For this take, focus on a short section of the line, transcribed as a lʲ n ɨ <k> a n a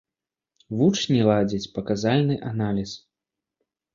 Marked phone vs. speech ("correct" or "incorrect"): incorrect